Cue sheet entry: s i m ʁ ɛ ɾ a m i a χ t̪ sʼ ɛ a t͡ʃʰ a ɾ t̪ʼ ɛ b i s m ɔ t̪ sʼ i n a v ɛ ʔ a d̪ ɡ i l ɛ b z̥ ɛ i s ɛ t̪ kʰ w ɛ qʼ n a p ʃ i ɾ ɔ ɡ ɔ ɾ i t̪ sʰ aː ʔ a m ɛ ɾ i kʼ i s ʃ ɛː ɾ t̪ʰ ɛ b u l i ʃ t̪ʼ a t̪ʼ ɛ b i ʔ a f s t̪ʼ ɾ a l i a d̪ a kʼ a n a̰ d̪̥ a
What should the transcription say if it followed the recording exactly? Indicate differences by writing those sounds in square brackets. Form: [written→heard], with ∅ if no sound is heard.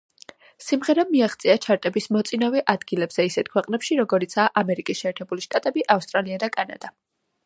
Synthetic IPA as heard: s i m ʁ ɛ ɾ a m i a χ t̪ sʼ [ɛ→i] a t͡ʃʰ a ɾ t̪ʼ ɛ b i s m ɔ t̪ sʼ i n a v ɛ ʔ a d̪ ɡ i l ɛ b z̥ ɛ i s ɛ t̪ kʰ w ɛ qʼ n [a→ɛ] p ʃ i ɾ ɔ ɡ ɔ ɾ i t̪ sʰ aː ʔ a m ɛ ɾ i kʼ i s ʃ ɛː ɾ t̪ʰ ɛ b u l i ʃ t̪ʼ a t̪ʼ ɛ b i ʔ a f s t̪ʼ ɾ a l i a d̪ a kʼ a n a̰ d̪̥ a

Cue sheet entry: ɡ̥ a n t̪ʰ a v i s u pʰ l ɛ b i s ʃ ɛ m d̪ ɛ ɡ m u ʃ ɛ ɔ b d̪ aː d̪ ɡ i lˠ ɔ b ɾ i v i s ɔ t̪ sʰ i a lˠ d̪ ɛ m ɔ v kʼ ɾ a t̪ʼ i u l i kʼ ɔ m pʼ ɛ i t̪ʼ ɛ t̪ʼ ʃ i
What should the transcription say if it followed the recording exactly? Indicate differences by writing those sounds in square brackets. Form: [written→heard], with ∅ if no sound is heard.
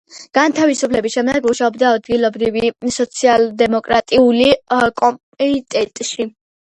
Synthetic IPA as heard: ɡ̥ a n t̪ʰ a v i s u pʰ l ɛ b i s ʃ ɛ m d̪ ɛ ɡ m u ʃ [ɛ→a] ɔ b d̪ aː d̪ ɡ i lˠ ɔ b ɾ i v i s ɔ t̪ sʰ i a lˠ d̪ ɛ m ɔ [v→∅] kʼ ɾ a t̪ʼ i u l i kʼ ɔ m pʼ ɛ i t̪ʼ ɛ t̪ʼ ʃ i

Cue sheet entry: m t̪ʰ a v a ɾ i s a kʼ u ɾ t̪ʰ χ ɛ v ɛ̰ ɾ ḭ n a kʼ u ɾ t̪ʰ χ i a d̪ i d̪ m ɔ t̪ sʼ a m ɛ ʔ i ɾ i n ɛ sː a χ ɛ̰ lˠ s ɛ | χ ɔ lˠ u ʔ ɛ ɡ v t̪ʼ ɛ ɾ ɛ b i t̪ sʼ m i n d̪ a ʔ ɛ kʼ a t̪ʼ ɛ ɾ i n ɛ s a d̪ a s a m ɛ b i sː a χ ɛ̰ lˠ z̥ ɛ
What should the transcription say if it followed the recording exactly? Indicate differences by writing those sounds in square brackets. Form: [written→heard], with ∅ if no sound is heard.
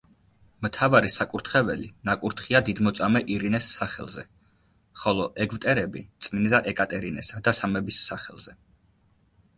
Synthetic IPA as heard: m t̪ʰ a v a ɾ i s a kʼ u ɾ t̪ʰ χ ɛ v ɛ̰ [ɾ→l] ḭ n a kʼ u ɾ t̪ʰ χ i a d̪ i d̪ m ɔ t̪ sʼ a m ɛ ʔ i ɾ i n ɛ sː a χ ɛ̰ lˠ [s→z] ɛ | χ ɔ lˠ [u→ɔ] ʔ ɛ ɡ v t̪ʼ ɛ ɾ ɛ b i t̪ sʼ m i n d̪ a ʔ ɛ kʼ a t̪ʼ ɛ ɾ i n ɛ s a d̪ a s a m ɛ b i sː a χ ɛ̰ lˠ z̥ ɛ

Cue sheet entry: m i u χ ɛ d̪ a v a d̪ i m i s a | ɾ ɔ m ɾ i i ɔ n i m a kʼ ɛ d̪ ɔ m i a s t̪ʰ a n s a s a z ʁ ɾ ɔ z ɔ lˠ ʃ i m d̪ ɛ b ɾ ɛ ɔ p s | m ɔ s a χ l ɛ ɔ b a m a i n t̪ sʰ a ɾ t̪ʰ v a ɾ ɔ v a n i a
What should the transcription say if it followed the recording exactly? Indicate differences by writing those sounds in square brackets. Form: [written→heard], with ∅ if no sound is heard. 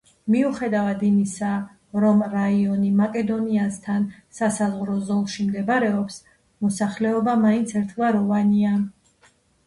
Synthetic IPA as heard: m i u χ ɛ d̪ a v a d̪ i m i s a | ɾ ɔ m ɾ [i→a] i ɔ n i m a kʼ ɛ d̪ ɔ [m→n] i a s t̪ʰ a n s a s a z ʁ ɾ ɔ z ɔ lˠ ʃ i m d̪ ɛ b ɾ ɛ ɔ p s | m ɔ s a χ l ɛ ɔ b a m a i n t̪ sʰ [a→ɛ] ɾ t̪ʰ v a ɾ ɔ v a n i a

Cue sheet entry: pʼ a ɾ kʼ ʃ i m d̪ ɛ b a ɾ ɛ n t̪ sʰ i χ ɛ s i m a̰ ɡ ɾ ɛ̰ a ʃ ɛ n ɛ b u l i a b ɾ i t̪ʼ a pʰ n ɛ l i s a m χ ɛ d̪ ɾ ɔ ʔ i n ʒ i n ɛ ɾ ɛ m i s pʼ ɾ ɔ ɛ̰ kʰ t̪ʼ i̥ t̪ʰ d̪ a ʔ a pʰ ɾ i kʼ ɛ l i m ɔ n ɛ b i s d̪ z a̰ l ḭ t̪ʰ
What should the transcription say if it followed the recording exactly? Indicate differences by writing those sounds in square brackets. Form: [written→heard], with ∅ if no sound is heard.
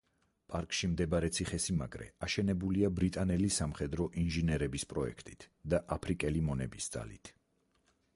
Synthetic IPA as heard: pʼ a ɾ kʼ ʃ i m d̪ ɛ b a ɾ ɛ [n→∅] t̪ sʰ i χ ɛ s i m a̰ ɡ ɾ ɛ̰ a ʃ ɛ n ɛ b u l i a b ɾ i t̪ʼ a [pʰ→∅] n ɛ l i s a m χ ɛ d̪ ɾ ɔ ʔ i n ʒ i n ɛ ɾ ɛ [m→b] i s pʼ ɾ ɔ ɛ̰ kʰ t̪ʼ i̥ t̪ʰ d̪ a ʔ a pʰ ɾ i kʼ ɛ l i m ɔ n ɛ b i s d̪ z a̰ l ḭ t̪ʰ

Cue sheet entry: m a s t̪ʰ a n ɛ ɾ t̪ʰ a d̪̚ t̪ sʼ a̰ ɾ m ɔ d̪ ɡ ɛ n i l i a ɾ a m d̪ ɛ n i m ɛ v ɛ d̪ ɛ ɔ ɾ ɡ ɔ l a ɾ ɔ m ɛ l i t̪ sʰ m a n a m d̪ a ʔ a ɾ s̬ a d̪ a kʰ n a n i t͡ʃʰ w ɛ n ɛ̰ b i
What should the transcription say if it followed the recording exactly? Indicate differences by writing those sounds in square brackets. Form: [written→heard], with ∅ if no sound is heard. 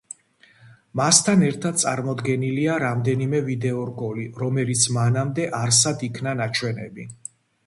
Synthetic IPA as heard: m a s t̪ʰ a n ɛ ɾ t̪ʰ a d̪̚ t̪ sʼ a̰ ɾ m ɔ d̪ ɡ ɛ n i l i a ɾ a m d̪ ɛ n i m ɛ v [ɛ→i] d̪ ɛ ɔ ɾ ɡ ɔ l [a→i] ɾ ɔ m ɛ l i t̪ sʰ m a n a m d̪ [a→ɛ] ʔ a ɾ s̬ a d̪ [a→i] kʰ n a n [i→a] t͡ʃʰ w ɛ n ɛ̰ b i

